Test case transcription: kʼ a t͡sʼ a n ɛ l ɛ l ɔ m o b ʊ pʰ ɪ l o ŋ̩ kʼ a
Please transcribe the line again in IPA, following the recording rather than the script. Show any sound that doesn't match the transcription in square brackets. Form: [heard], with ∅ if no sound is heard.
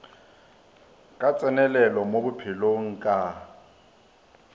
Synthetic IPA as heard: kʼ a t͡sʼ [ɛ] n ɛ l ɛ l ɔ m o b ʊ pʰ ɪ l o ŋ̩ kʼ a